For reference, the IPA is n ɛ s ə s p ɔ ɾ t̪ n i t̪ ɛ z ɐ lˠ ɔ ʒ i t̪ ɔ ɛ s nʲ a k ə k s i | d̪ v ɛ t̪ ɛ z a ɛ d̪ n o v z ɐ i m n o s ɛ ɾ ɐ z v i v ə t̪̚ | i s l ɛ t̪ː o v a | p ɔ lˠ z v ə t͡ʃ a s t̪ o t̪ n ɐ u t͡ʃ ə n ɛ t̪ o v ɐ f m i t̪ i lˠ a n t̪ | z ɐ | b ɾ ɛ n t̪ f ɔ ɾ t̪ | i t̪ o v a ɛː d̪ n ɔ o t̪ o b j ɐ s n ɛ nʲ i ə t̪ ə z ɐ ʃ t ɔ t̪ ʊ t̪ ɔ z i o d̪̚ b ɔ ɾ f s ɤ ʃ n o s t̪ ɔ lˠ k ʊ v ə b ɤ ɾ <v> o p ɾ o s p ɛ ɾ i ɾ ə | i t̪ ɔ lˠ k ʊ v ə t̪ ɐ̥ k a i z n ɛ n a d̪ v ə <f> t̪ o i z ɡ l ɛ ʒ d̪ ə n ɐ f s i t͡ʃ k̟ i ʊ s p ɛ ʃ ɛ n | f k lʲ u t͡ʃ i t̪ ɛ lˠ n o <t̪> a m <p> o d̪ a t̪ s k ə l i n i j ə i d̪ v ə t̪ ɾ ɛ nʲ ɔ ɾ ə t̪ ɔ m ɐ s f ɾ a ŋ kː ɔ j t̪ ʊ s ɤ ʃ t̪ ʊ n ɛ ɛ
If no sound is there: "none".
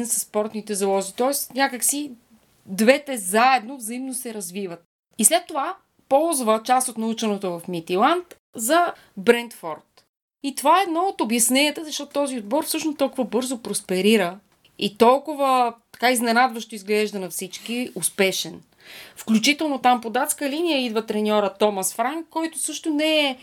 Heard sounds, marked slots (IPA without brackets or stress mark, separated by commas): z, ʃ, t̪, p